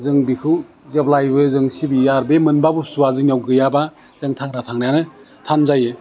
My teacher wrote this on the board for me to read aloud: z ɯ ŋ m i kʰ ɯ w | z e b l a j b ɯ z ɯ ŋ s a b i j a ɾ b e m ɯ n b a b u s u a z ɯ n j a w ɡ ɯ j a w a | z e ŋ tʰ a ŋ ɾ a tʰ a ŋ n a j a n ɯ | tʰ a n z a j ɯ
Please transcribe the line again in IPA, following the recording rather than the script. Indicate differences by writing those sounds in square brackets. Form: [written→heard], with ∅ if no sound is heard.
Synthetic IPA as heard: z ɯ ŋ [m→b] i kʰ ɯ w | z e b l a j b ɯ z ɯ ŋ s [a→i] b i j a ɾ b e m ɯ n b a b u s u a z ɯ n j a w ɡ ɯ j a [w→b] a | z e ŋ tʰ a ŋ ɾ a tʰ a ŋ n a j a n ɯ | tʰ a n z a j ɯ